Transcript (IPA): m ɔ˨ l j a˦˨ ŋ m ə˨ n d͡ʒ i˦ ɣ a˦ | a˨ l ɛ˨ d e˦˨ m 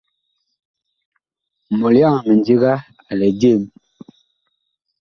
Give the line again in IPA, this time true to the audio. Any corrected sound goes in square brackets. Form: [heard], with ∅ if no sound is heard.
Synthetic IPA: m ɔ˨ l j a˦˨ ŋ m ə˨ n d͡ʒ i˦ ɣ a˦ | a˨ l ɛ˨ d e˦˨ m

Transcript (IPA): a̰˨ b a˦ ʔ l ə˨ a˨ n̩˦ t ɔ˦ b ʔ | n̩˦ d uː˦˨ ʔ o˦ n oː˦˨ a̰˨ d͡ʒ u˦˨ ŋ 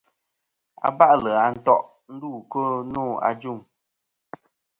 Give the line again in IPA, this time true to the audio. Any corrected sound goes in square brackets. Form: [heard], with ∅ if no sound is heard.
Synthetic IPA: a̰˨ b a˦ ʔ l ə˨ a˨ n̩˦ t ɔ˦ [∅] ʔ | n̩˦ d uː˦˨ [k] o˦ n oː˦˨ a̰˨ d͡ʒ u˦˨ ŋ

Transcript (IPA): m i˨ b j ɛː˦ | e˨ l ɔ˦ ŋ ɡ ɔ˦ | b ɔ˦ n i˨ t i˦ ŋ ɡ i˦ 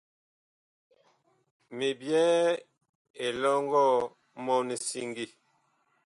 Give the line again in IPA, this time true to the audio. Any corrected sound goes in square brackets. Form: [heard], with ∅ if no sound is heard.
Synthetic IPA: m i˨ b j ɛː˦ | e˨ l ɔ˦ ŋ ɡ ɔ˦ | [m] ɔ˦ n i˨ [s] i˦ ŋ ɡ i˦

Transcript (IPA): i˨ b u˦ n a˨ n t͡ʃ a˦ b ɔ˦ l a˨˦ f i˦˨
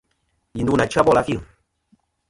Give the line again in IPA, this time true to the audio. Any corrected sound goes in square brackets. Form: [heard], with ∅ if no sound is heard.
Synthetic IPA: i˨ [d] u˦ n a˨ [∅] t͡ʃ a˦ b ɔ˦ l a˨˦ f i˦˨

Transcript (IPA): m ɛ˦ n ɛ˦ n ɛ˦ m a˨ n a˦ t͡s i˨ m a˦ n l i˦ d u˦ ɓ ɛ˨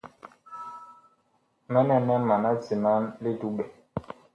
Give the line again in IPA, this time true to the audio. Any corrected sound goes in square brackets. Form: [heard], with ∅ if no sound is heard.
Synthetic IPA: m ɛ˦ n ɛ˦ n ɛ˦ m a˨ n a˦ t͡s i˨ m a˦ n l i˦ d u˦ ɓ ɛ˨

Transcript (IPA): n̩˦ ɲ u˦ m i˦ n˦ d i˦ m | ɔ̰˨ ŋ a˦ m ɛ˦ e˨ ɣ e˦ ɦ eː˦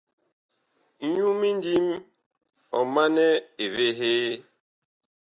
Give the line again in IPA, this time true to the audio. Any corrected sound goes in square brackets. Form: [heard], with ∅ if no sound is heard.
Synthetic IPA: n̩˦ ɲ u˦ m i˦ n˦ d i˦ m | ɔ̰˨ [m] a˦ [n] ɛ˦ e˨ [v] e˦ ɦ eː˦

